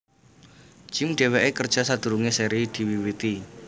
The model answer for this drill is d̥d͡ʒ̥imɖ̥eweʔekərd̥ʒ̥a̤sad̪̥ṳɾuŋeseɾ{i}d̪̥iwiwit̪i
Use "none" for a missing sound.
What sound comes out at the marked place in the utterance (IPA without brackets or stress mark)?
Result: i